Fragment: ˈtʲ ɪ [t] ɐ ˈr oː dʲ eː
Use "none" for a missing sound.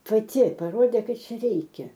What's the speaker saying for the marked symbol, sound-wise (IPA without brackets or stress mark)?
p